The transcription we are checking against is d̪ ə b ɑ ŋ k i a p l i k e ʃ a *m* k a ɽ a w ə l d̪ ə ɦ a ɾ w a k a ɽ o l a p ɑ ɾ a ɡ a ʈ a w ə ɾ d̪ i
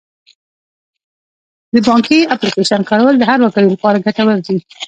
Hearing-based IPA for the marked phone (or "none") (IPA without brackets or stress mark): n